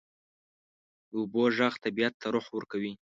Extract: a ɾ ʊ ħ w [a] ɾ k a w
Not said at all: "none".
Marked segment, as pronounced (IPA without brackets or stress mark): ə